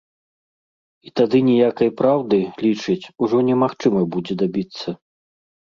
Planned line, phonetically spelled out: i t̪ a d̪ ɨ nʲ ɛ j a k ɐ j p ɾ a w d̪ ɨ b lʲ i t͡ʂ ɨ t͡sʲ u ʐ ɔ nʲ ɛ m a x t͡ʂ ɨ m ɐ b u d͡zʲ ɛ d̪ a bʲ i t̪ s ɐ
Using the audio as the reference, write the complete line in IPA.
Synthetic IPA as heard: i t̪ a d̪ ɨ nʲ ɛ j a k ɐ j p ɾ a w d̪ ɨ lʲ i t͡ʂ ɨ t͡sʲ u ʐ ɔ nʲ ɛ m a x t͡ʂ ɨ m ɐ b u d͡zʲ ɛ d̪ a bʲ i t̪ sː ɐ